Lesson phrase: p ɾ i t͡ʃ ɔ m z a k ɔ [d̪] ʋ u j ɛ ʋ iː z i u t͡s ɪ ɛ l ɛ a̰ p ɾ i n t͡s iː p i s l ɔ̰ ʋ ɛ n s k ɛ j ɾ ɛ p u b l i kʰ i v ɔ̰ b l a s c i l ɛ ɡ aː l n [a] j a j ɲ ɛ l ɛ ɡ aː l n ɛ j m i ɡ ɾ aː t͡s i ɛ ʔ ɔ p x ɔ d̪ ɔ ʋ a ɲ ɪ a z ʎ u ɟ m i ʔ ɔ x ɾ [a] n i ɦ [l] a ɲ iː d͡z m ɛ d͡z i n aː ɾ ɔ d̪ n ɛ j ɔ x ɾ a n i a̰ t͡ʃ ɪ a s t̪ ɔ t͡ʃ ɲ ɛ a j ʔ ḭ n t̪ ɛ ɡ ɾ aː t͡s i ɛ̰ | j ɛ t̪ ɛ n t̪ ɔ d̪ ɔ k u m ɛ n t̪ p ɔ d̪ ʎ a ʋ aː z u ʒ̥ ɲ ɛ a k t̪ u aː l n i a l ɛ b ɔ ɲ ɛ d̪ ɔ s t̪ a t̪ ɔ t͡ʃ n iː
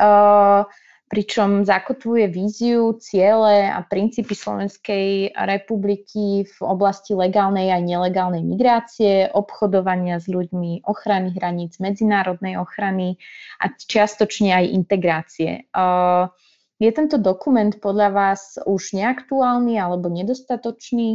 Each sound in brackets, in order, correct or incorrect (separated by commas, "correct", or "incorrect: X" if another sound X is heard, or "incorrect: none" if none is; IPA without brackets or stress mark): incorrect: t̪, incorrect: ɛ, correct, incorrect: ɾ